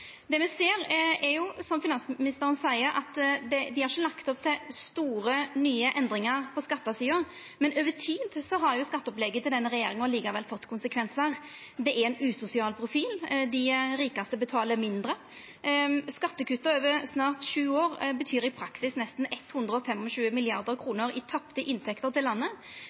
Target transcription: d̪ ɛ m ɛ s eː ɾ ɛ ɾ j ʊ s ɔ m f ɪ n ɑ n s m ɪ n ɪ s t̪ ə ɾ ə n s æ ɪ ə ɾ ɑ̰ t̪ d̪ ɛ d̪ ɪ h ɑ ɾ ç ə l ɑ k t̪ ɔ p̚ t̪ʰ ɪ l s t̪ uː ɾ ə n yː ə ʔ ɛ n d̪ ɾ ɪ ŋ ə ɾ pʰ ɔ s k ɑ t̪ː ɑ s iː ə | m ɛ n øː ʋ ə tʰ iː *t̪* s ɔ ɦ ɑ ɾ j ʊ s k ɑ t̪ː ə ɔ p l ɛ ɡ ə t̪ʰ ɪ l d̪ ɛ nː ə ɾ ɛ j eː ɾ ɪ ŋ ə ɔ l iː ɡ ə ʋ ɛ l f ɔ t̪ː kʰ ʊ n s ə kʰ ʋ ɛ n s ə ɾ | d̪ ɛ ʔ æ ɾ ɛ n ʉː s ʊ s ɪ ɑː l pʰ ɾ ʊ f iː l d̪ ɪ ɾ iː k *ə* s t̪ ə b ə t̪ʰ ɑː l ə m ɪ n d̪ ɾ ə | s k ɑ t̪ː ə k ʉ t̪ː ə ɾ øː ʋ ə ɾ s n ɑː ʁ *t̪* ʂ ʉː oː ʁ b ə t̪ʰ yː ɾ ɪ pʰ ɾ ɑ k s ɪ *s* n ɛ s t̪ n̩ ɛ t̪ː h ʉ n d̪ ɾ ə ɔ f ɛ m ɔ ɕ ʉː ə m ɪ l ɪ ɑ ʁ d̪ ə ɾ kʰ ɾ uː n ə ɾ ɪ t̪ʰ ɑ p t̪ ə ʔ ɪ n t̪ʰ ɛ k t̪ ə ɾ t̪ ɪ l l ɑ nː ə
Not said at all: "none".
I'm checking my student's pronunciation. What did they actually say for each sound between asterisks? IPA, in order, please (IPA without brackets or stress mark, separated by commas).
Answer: d̪, ɑ, t̪, s